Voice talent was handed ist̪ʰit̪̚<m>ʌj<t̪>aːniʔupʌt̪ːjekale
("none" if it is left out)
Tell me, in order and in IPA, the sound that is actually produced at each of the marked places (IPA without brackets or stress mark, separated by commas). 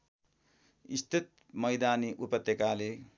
m, d̪